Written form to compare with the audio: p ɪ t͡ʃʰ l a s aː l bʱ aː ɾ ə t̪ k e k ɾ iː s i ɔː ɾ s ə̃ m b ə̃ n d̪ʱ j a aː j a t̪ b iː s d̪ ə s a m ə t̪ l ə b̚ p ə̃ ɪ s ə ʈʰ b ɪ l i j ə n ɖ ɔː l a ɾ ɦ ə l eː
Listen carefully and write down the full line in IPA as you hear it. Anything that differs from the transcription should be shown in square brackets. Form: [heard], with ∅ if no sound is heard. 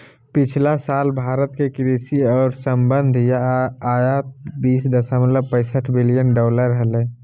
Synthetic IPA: p ɪ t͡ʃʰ l a s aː l bʱ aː ɾ ə t̪ k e k ɾ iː s i ɔː ɾ s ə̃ m b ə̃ n d̪ʱ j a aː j a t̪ b iː s d̪ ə s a m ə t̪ l ə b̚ p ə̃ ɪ s ə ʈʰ b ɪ l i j ə n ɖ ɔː l [ə] ɾ ɦ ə l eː